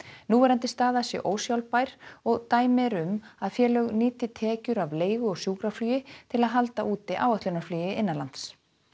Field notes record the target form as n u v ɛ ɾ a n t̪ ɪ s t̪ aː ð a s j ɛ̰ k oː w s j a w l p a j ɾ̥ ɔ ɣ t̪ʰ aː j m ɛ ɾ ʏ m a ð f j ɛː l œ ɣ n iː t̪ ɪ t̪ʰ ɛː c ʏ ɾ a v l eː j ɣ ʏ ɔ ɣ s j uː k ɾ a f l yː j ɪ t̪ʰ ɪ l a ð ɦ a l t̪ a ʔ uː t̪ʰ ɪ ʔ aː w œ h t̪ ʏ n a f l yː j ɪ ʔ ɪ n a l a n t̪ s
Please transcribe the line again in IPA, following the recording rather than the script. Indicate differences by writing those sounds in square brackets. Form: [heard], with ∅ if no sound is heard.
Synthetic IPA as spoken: n u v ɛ ɾ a n t̪ ɪ s t̪ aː ð a s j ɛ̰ [ʔ] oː w s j a w l p a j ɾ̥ ɔ ɣ [t̪] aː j m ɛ ɾ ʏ m a ð f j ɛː l œ ɣ n iː t̪ ɪ t̪ʰ ɛː c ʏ ɾ a v l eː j ɣ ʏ ɔ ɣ s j uː k ɾ a f l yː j ɪ t̪ʰ ɪ l a ð ɦ a l t̪ a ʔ uː [t̪] ɪ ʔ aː w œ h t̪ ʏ n a f l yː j ɪ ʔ ɪ [nː] a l a n t̪ s